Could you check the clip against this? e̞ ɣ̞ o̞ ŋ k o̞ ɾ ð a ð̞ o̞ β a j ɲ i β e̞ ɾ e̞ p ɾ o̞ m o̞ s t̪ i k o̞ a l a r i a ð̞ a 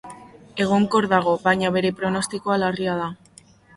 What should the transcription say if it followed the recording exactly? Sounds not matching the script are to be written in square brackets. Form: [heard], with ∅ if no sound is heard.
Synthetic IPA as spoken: e̞ ɣ̞ o̞ ŋ k o̞ ɾ ð a [ɣ̞] o̞ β a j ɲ [a] β e̞ ɾ e̞ p ɾ o̞ [n] o̞ s t̪ i k o̞ a l a r i a ð̞ a